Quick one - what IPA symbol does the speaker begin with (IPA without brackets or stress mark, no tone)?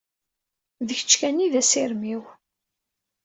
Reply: ð